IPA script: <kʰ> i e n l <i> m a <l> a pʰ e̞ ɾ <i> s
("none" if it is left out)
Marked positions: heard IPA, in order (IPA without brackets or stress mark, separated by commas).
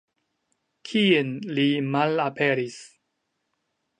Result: kʰ, i, l, i